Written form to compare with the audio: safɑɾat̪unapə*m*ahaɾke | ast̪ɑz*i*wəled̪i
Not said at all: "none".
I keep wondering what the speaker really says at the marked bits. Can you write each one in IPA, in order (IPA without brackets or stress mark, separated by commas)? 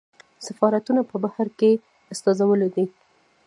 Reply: b, a